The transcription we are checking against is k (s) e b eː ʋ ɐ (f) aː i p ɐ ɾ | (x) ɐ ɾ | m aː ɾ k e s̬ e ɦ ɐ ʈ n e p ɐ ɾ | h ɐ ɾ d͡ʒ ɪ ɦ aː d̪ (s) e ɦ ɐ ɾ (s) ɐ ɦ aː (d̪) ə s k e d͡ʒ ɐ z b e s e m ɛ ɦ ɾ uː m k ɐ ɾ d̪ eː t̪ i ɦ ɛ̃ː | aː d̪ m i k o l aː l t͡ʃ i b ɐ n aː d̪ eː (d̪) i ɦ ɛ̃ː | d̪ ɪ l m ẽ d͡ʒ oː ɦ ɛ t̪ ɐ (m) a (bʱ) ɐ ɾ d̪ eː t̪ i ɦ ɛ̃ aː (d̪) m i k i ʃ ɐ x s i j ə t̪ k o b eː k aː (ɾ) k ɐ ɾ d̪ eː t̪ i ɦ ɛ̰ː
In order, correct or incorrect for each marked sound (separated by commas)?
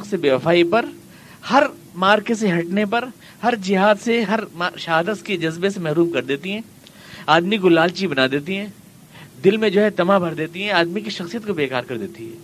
correct, correct, incorrect, correct, incorrect, correct, incorrect, correct, correct, correct, correct